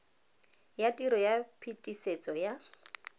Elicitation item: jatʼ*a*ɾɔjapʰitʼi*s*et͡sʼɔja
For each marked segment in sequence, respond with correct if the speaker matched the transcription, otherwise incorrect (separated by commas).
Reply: incorrect, correct